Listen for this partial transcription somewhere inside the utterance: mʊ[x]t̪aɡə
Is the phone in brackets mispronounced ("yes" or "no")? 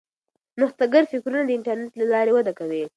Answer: no